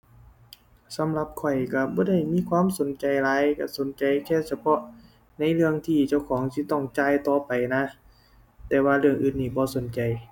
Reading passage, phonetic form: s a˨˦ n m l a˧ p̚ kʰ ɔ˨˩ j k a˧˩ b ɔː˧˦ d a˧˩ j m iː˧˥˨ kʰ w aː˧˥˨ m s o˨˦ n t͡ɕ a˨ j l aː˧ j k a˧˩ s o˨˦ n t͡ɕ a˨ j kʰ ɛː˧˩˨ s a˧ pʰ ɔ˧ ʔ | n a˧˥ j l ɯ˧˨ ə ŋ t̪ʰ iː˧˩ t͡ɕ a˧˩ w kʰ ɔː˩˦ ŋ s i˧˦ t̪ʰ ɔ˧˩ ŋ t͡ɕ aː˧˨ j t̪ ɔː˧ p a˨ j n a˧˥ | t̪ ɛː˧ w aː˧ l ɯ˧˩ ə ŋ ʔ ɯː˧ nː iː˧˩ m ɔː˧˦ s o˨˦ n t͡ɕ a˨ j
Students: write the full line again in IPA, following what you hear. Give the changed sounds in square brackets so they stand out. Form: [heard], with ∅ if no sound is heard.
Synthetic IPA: s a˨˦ [∅] m l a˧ p̚ kʰ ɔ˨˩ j k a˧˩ b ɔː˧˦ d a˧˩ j m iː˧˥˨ kʰ w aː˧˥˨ m s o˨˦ n t͡ɕ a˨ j l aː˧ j k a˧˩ s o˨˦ n t͡ɕ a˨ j kʰ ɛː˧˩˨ s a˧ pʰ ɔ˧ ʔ | n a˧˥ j l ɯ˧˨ ə ŋ t̪ʰ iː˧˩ t͡ɕ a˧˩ w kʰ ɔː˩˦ ŋ s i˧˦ [t̪] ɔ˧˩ ŋ t͡ɕ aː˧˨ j t̪ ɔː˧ p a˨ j n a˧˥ | t̪ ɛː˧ w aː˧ l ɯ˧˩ ə ŋ ʔ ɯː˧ nː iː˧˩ [b] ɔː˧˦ s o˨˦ n t͡ɕ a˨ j